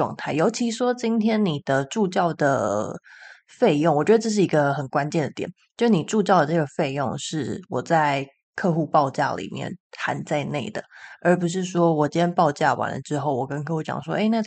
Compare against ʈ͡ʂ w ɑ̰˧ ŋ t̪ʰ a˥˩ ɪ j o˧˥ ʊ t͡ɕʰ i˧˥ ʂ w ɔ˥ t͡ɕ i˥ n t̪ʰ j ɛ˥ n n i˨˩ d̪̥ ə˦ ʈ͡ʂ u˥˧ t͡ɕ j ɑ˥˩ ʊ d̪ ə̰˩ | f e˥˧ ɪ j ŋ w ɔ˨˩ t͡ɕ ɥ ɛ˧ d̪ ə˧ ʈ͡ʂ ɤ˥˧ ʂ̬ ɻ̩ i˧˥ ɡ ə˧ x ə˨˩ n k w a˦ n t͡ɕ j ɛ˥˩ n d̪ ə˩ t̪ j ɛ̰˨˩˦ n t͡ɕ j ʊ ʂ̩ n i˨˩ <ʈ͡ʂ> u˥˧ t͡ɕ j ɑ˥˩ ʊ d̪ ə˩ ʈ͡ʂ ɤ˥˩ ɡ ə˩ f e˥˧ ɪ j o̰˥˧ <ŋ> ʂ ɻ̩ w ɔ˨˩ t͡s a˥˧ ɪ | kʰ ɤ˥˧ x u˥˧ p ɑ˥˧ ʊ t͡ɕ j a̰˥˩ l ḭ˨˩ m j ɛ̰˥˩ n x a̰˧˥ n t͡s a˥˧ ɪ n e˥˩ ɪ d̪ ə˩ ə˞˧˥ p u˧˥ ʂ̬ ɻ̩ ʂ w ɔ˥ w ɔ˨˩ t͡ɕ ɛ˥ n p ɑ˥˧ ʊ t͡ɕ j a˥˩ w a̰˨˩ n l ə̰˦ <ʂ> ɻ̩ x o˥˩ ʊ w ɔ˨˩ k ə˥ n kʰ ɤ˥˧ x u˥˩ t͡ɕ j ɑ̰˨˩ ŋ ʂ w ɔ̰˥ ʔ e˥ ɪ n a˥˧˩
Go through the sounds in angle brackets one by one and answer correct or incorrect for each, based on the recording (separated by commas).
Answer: correct, correct, incorrect